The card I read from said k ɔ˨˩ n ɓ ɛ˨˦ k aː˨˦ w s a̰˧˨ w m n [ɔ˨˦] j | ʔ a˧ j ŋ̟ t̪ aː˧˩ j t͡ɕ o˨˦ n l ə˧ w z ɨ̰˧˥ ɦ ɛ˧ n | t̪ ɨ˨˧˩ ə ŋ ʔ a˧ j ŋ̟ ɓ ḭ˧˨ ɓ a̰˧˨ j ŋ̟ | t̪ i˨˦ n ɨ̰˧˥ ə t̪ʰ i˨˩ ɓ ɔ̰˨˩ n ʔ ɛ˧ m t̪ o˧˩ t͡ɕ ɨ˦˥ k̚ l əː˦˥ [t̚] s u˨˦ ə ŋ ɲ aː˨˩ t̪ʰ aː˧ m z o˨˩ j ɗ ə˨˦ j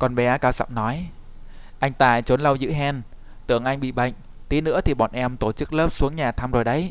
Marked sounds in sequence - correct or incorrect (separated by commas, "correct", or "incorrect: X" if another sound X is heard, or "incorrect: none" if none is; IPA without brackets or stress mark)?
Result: correct, incorrect: p̚